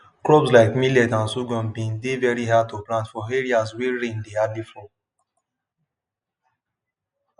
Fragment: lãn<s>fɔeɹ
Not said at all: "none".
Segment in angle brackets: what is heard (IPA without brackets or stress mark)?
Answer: t